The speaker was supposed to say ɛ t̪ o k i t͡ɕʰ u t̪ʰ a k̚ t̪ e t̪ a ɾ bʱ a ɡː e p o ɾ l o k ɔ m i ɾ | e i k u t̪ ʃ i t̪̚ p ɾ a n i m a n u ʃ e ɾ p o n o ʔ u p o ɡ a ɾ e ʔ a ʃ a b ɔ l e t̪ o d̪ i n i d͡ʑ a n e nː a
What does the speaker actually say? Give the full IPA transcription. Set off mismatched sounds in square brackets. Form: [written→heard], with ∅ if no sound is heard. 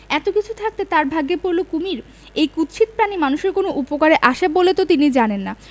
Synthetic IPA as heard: ɛ t̪ o k i t͡ɕʰ u t̪ʰ a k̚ t̪ e t̪ a ɾ bʱ a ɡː e p o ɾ l o k [ɔ→u] m i ɾ | e [i→j] k u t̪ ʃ i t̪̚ p ɾ a n i m a n u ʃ e ɾ [p→k] o n o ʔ u p o [ɡ→k] a ɾ e ʔ a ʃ a b [ɔ→o] l e t̪ o [d̪→t̪] i n i d͡ʑ a n e nː a